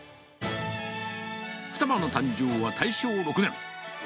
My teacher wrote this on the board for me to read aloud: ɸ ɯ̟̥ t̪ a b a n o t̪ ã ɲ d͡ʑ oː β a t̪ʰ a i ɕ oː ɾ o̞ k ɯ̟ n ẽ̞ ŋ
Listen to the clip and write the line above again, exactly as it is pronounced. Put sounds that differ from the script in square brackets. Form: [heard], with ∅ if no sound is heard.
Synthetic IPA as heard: ɸ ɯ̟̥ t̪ a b a n o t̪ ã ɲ d͡ʑ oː β a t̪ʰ a i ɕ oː ɾ o̞ k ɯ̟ n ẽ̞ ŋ

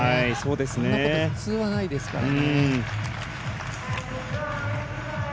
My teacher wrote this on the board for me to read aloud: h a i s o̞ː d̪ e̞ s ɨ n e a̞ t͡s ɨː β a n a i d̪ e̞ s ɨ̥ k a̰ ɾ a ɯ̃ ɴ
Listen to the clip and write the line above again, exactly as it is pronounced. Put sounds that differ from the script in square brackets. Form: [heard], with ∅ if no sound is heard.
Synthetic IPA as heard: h a i s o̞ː d̪ e̞ s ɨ n e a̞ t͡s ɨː β a n a i d̪ e̞ s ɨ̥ k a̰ ɾ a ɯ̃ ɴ

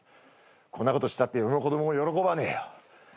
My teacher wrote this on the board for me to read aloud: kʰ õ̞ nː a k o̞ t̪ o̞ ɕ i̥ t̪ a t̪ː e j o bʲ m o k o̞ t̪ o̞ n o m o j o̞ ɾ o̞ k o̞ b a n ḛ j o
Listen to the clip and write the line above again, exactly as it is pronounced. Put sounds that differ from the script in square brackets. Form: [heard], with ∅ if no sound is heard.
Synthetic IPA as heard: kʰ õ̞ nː a k o̞ t̪ o̞ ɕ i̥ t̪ a t̪ː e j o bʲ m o k o̞ [d̪] o̞ [m] o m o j o̞ ɾ o̞ k o̞ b a n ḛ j o

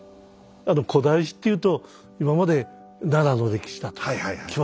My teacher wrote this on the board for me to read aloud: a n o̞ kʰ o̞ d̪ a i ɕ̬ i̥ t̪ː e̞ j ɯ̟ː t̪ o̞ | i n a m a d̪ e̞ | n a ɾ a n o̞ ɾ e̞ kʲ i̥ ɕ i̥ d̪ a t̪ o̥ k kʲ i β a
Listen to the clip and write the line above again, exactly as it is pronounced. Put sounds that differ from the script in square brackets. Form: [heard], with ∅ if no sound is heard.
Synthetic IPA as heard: a n o̞ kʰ o̞ d̪ a i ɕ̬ i̥ t̪ː e̞ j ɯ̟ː t̪ o̞ | i [m] a m a d̪ e̞ | n a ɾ a n o̞ ɾ e̞ kʲ i̥ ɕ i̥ d̪ a t̪ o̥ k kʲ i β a

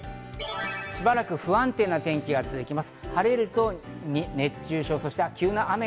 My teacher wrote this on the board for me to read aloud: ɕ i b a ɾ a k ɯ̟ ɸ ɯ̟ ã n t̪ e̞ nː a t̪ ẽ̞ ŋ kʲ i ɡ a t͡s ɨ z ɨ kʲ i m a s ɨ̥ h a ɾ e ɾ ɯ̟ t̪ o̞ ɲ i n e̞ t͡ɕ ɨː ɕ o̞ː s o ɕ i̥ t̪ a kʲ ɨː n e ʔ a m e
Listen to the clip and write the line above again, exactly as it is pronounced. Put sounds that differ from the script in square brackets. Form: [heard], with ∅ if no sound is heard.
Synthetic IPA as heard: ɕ i b a ɾ a k ɯ̟ ɸ ɯ̟ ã n t̪ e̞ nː a t̪ ẽ̞ ŋ kʲ i ɡ a t͡s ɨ z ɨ kʲ i m a s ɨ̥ h a ɾ e ɾ ɯ̟ t̪ o̞ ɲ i n e̞ t͡ɕ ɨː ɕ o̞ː s o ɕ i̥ t̪ a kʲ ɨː n [a] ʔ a m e

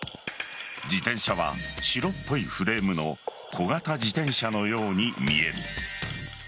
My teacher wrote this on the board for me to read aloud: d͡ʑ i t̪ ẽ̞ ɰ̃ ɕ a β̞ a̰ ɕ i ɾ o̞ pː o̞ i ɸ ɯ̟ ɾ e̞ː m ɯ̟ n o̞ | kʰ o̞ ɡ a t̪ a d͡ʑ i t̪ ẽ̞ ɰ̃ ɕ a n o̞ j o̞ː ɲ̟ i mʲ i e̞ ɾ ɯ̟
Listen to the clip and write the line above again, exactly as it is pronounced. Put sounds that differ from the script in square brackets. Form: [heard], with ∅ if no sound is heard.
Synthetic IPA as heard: d͡ʑ i t̪ ẽ̞ ɰ̃ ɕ a β̞ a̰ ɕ i ɾ o̞ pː o̞ i ɸ ɯ̟ ɾ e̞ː m ɯ̟ n o̞ | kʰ o̞ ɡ a t̪ a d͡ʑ i t̪ ẽ̞ ɰ̃ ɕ a n o̞ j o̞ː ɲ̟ i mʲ i e̞ ɾ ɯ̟

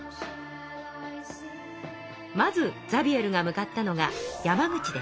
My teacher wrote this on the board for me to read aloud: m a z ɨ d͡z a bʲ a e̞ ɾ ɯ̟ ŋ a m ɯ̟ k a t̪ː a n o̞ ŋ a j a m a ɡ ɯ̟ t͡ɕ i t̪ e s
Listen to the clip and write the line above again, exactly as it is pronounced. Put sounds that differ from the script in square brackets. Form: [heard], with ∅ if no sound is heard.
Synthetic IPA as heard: m a z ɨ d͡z a bʲ [i] e̞ ɾ ɯ̟ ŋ a m ɯ̟ k a t̪ː a n o̞ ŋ a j a m a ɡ ɯ̟ t͡ɕ i [d̪] e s

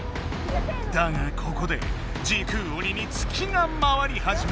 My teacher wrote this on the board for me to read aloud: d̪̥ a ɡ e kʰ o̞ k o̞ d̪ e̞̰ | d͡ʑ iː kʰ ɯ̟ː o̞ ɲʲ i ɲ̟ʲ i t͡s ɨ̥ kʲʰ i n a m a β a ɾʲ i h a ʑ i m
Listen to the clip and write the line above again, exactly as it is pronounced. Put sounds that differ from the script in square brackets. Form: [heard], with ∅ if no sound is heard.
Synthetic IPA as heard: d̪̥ a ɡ [a] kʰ o̞ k o̞ d̪ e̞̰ | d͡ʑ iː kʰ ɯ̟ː o̞ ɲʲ i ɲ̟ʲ i t͡s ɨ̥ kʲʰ i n a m a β a ɾʲ i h a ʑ i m

